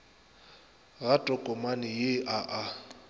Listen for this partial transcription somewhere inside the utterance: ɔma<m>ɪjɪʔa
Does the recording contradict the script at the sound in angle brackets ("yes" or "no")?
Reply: yes